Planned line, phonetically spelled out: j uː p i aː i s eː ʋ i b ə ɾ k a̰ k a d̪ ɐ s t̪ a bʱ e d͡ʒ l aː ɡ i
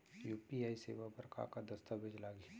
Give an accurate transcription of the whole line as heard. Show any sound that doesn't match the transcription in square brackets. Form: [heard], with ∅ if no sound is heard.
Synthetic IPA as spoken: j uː p i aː i s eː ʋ [a] b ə ɾ k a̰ k a d̪ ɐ s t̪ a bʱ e d͡ʒ l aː ɡ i

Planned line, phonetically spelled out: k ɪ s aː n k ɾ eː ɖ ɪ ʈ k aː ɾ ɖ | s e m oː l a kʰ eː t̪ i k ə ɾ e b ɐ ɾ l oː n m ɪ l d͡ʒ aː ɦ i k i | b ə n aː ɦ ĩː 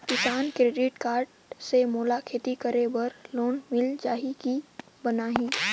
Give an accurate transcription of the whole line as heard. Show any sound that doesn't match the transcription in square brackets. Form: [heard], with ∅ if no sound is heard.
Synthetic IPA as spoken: k ɪ s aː n k ɾ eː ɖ ɪ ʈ k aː ɾ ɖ | s e m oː l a kʰ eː t̪ i k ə ɾ e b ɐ ɾ l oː n m ɪ l d͡ʒ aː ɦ i k i | b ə n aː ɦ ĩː

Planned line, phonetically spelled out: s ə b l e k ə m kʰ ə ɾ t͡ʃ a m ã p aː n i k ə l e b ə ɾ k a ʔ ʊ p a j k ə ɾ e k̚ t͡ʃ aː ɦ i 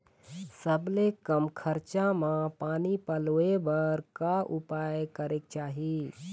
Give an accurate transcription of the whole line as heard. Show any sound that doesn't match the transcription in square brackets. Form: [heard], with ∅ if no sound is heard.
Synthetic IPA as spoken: s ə b l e k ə m kʰ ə ɾ t͡ʃ a m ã p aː n i [p] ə l e b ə ɾ k a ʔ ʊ p a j k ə ɾ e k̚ t͡ʃ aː ɦ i

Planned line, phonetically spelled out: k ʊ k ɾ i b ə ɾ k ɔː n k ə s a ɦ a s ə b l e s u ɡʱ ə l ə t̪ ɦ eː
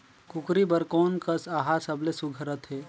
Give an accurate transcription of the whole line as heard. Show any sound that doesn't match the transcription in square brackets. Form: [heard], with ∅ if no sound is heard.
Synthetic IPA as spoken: k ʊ k ɾ i b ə ɾ k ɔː n k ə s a ɦ a s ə b l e s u ɡʱ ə [ɾ] ə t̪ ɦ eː

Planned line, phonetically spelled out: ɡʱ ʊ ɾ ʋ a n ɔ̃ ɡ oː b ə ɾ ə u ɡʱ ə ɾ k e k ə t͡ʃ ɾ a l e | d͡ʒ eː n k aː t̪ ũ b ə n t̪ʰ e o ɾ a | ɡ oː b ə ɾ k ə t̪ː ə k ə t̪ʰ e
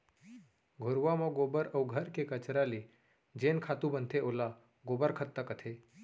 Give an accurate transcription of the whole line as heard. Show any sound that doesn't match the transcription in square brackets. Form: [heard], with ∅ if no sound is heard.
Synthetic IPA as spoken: ɡʱ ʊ ɾ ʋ a [m] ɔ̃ ɡ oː b ə ɾ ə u ɡʱ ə ɾ k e k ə t͡ʃ ɾ a l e | d͡ʒ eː n [kʰ] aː t̪ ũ b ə n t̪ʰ e o [l] a | ɡ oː b ə ɾ [kʰ] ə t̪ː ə k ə t̪ʰ e

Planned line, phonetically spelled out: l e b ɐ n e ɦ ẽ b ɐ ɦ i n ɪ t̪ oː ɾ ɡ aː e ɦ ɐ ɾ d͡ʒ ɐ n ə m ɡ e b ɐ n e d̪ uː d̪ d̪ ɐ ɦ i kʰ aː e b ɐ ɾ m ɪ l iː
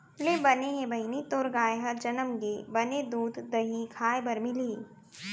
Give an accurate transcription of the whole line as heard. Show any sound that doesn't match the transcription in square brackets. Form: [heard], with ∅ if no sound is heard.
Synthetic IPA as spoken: l e b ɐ n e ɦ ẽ b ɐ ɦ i n [i] t̪ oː ɾ ɡ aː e ɦ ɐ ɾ d͡ʒ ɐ n ə m ɡ e b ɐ n e d̪ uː d̪ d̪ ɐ ɦ i kʰ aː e b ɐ ɾ m ɪ l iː

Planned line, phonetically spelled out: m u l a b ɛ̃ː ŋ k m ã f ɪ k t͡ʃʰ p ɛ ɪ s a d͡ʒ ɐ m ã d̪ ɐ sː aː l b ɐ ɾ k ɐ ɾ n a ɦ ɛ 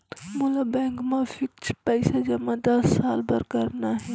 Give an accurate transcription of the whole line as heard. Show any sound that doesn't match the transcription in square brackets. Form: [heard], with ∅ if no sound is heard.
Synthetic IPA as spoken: m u l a b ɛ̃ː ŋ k m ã f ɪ k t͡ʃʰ p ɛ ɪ s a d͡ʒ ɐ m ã d̪ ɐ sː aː l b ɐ ɾ k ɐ ɾ n a ɦ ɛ

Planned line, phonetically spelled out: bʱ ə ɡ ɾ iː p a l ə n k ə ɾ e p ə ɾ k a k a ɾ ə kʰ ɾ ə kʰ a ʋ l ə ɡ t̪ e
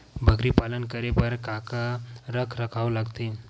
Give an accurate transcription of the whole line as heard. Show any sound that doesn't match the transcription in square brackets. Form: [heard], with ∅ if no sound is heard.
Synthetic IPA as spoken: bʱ ə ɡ ɾ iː p a l ə n k ə ɾ e p ə ɾ k a k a ɾ ə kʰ ɾ ə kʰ a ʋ l [a] ɡ t̪ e

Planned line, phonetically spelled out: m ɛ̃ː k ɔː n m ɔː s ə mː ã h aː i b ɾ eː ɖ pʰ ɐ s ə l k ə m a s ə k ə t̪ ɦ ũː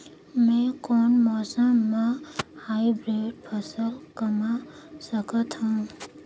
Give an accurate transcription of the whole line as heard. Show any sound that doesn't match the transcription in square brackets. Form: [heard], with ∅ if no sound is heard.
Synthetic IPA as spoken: m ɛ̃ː k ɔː n m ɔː s ə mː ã h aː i b ɾ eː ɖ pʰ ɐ s ə l k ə m a s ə k ə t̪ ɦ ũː

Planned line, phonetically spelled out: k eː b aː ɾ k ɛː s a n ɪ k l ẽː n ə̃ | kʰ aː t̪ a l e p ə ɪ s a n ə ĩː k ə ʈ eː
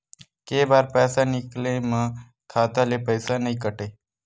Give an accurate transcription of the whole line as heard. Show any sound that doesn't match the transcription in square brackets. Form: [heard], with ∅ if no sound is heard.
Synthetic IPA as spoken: k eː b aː ɾ [p] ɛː s a n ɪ k l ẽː [m] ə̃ | kʰ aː t̪ a l e p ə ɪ s a n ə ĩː k ə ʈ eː

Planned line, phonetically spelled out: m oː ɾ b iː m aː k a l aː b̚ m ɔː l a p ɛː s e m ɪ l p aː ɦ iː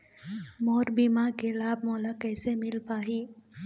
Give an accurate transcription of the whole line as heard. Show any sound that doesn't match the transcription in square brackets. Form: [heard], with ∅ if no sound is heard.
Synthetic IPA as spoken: m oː ɾ b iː m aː k [e] l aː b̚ m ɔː l a [k] ɛː s e m ɪ l p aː ɦ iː

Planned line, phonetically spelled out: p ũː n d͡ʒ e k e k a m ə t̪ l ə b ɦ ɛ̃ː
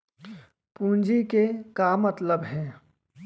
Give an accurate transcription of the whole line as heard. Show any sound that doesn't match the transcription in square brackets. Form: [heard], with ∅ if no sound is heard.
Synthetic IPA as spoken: p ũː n d͡ʒ [i] k e k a m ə t̪ l ə b ɦ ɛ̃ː

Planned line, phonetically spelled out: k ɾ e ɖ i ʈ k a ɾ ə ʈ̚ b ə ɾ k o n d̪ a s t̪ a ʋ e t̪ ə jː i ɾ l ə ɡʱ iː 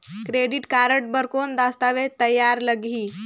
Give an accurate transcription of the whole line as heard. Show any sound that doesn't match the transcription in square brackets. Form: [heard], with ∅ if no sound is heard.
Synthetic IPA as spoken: k ɾ e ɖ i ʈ k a ɾ ə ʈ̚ b ə ɾ k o n d̪ a s t̪ a ʋ e t̪ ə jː [a] ɾ l ə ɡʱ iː

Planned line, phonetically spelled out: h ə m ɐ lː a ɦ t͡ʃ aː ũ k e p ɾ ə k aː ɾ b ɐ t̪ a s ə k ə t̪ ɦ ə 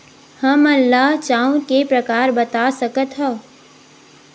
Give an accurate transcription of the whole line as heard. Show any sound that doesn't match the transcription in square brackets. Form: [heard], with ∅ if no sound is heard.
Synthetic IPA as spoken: h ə m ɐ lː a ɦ t͡ʃ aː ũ k e p ɾ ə k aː ɾ b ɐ t̪ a s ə k ə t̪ ɦ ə

